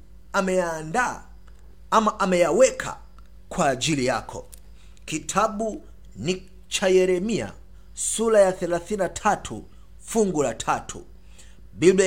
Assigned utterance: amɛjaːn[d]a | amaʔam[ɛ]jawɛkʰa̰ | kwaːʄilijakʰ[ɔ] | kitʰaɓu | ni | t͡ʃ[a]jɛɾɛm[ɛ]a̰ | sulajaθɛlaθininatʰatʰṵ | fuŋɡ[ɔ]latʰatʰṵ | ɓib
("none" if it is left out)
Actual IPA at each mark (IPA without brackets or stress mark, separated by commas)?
d, ɛ, ɔ, a, i, u